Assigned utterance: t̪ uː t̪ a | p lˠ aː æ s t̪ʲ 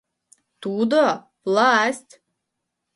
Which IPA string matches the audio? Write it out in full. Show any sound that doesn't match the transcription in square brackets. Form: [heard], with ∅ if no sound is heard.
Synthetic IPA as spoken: t̪ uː [d̪] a | p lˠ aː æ s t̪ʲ